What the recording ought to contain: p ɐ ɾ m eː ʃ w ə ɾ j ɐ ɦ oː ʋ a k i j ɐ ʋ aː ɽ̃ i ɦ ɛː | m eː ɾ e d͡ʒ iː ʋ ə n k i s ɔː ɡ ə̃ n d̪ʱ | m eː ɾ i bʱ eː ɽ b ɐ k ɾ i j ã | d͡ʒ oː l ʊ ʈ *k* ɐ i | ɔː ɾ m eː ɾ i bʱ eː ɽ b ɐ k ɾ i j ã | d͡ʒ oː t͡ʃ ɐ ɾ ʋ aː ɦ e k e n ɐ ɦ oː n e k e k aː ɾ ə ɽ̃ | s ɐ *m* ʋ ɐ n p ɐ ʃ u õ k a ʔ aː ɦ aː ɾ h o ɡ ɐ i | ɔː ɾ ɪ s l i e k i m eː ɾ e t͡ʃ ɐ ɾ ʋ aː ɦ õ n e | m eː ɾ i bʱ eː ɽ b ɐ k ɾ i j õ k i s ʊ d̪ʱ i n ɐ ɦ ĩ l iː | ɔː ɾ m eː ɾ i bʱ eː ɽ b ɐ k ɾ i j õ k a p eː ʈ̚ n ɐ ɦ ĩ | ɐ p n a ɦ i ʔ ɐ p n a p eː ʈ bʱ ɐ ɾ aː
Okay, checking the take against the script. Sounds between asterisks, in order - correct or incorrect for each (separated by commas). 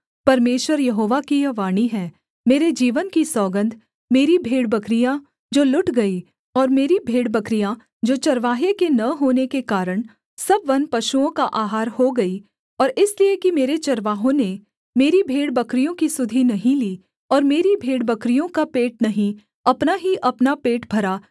incorrect, incorrect